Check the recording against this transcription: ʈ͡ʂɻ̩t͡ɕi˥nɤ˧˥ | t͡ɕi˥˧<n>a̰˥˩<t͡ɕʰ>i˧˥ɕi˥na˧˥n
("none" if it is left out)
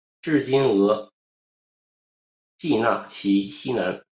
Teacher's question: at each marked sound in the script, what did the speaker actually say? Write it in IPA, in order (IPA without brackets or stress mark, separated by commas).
n, t͡ɕʰ